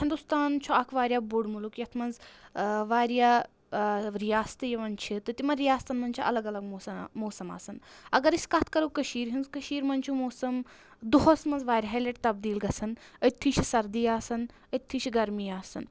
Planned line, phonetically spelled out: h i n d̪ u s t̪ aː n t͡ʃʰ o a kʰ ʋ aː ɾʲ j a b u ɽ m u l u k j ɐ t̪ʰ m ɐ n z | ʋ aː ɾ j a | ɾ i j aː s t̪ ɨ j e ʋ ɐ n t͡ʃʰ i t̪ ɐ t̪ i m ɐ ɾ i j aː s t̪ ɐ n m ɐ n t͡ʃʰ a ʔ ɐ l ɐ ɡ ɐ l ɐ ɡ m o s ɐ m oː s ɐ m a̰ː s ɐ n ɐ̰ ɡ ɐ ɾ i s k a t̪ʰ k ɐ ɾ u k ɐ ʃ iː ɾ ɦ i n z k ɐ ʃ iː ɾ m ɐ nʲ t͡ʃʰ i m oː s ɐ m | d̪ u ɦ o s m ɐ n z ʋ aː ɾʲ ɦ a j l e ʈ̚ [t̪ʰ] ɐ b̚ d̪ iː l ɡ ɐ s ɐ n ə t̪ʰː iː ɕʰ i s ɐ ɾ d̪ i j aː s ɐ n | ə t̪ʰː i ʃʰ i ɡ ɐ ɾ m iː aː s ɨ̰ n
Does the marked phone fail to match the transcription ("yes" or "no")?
yes